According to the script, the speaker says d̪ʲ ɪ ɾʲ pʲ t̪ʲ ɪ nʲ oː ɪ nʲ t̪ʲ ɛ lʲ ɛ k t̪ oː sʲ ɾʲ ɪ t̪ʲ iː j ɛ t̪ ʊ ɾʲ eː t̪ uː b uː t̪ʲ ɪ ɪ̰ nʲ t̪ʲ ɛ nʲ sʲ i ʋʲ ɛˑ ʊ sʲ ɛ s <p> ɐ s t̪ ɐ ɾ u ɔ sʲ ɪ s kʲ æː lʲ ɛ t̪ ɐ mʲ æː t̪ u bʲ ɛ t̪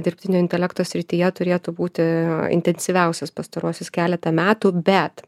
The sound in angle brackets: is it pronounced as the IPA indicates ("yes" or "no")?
yes